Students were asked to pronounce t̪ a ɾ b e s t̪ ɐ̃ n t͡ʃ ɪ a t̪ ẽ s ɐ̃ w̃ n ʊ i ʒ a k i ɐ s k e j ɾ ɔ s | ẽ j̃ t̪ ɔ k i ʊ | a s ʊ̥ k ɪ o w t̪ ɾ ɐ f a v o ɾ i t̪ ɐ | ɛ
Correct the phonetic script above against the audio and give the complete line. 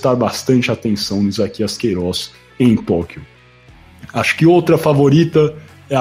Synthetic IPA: t̪ a ɾ b a s t̪ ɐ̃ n t͡ʃ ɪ a t̪ ẽ s ɐ̃ w̃ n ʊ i z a k i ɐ s k e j ɾ ɔ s | ẽ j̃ t̪ ɔ k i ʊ | a ʃ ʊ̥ k ɪ o w t̪ ɾ ɐ f a v o ɾ i t̪ ɐ | ɛ